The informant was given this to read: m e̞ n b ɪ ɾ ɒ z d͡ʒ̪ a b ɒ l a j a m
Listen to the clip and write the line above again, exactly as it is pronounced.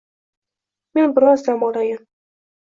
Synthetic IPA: m e̞ n b ɪ ɾ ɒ z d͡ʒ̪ a m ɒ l a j a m